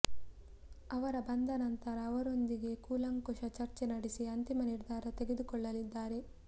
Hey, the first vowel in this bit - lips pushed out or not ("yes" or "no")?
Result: no